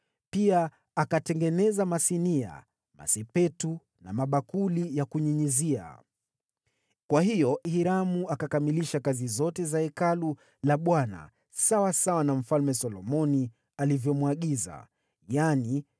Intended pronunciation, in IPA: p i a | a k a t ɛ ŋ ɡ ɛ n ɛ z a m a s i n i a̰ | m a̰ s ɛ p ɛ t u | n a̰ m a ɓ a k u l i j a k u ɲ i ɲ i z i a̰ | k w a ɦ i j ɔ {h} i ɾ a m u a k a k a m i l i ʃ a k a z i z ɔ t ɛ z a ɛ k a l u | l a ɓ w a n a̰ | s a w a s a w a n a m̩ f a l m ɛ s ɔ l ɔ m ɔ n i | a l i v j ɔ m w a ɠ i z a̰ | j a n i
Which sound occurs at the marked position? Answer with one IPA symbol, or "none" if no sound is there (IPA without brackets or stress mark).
h